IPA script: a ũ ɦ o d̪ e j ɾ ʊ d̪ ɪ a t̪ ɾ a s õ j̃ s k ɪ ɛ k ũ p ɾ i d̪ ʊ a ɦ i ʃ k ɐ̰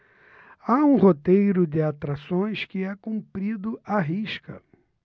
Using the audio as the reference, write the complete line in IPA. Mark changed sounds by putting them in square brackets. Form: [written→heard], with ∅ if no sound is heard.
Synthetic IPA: a ũ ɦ o [d̪→t̪] e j ɾ ʊ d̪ ɪ a t̪ ɾ a s õ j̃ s k ɪ ɛ k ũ p ɾ i d̪ ʊ a ɦ i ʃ k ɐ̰